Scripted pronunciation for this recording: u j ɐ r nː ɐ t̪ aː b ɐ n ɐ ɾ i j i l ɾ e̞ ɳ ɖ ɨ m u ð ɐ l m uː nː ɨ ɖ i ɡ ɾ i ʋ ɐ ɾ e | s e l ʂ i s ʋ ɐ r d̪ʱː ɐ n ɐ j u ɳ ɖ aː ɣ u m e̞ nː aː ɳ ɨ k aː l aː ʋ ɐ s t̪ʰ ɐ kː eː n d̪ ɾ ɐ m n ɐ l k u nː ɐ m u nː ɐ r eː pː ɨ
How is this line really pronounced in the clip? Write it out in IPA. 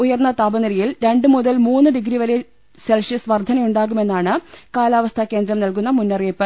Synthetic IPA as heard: u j ɐ r nː ɐ t̪ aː b ɐ n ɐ ɾ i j i l ɾ e̞ ɳ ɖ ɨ m u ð ɐ l m uː nː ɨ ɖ i ɡ ɾ i ʋ ɐ ɾ e | s e l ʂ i s ʋ ɐ r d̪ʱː ɐ n ɐ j u ɳ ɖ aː ɣ u m e̞ nː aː ɳ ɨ k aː l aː ʋ ɐ s t̪ʰ ɐ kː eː n d̪ ɾ ɐ m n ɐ l k u nː ɐ m u nː ɐ r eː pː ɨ